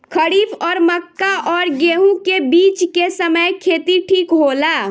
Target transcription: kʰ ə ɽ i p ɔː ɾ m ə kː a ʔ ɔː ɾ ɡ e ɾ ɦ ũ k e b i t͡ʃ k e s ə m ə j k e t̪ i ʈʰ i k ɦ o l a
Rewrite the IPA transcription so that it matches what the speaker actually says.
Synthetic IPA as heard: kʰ ə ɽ i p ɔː ɾ m ə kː a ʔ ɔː ɾ ɡ e ɦ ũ k e b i t͡ʃ k e s ə m ə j kʰ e t̪ i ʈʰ i k ɦ o l a